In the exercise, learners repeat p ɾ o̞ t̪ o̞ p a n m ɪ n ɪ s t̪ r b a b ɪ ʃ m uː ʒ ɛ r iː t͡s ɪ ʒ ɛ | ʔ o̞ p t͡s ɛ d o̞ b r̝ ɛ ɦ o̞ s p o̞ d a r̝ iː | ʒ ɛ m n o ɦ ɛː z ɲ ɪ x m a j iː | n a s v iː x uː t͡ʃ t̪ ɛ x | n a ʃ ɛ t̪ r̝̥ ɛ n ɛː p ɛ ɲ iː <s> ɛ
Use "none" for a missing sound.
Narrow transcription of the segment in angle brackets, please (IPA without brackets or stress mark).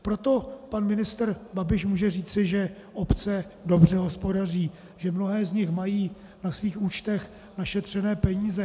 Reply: z